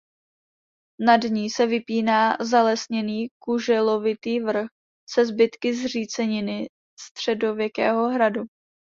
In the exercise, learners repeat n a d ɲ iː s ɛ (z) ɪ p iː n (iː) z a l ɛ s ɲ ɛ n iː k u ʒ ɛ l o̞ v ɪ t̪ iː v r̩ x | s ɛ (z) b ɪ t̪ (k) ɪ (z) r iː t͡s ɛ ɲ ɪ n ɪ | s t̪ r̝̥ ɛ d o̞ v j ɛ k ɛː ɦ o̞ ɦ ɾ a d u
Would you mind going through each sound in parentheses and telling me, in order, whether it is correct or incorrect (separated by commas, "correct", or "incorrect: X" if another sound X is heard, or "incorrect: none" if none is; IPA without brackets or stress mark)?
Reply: incorrect: v, incorrect: aː, correct, correct, correct